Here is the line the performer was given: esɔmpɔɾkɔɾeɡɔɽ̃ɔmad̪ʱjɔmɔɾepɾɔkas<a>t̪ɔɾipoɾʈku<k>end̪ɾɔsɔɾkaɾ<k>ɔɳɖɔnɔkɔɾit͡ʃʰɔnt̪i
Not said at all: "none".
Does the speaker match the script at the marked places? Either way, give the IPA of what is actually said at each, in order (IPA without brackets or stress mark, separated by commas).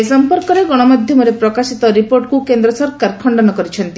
i, k, kʰ